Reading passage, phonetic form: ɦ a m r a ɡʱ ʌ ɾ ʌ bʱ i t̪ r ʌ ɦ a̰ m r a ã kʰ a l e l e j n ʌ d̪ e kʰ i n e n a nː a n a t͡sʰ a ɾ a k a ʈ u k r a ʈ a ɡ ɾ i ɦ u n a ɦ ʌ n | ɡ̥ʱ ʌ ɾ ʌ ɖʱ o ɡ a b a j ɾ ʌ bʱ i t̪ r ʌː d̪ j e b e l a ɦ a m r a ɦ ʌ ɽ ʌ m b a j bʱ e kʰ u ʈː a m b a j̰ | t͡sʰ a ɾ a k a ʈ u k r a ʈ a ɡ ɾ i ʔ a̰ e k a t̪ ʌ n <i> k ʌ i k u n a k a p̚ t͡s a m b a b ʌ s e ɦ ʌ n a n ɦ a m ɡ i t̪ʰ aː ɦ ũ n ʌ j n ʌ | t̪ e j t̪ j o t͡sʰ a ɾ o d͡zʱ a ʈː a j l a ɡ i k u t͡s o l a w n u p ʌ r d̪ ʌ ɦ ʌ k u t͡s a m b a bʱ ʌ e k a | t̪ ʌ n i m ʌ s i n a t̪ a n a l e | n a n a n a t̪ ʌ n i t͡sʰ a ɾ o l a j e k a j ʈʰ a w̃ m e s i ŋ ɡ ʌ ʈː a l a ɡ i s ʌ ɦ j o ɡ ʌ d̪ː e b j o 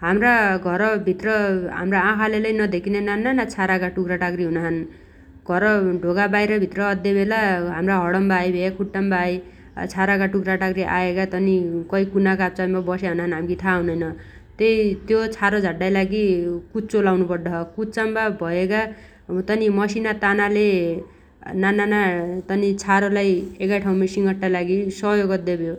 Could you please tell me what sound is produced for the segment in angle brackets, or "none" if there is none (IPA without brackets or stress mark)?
i